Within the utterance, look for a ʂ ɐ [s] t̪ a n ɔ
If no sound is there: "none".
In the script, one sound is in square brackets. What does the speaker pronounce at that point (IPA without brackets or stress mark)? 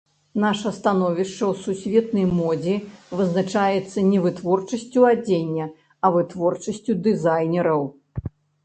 s